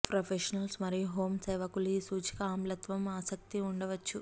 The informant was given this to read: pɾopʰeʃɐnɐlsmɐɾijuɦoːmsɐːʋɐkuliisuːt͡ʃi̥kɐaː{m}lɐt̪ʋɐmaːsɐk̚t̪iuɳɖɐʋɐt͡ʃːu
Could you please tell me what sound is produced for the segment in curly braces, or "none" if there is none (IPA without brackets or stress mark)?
m